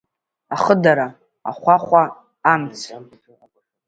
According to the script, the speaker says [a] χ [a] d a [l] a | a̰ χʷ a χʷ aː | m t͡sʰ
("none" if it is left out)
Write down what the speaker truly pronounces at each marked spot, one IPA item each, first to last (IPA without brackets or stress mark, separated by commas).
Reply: a, ə, ɾ